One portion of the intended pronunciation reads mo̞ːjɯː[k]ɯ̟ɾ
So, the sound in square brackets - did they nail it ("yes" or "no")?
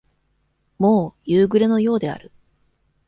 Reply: no